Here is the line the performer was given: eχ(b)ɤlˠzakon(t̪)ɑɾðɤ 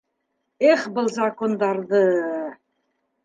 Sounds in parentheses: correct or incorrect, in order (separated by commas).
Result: correct, incorrect